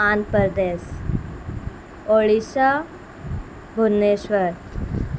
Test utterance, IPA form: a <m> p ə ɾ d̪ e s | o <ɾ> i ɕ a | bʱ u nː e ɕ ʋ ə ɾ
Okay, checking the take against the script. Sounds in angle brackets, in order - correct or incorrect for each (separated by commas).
incorrect, incorrect